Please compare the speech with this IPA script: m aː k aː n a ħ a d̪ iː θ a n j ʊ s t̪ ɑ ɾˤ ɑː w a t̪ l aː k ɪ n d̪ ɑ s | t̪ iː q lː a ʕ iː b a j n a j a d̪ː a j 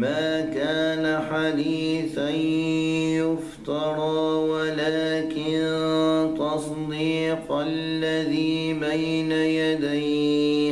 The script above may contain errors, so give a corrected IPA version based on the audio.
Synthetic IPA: m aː k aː n a ħ a d̪ iː θ a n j ʊ f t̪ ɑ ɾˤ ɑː w a l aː k ɪ n t̪ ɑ s | d̪ iː q lː a ð iː b a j n a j a d̪ a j